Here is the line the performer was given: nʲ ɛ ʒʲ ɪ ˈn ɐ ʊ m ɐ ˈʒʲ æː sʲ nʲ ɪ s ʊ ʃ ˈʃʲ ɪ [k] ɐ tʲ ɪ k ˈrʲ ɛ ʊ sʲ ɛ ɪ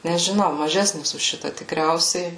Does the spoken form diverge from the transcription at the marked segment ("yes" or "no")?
yes